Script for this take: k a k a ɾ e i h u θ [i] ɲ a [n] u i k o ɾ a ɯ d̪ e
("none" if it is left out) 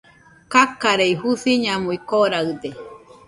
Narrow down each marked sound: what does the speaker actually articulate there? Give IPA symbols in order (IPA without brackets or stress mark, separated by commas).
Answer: i, m